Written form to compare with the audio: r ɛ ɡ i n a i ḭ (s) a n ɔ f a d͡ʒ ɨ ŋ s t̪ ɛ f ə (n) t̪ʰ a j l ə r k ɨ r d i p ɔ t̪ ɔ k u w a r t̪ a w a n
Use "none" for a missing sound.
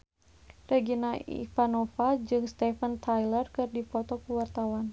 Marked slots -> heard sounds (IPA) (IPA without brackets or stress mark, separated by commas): f, n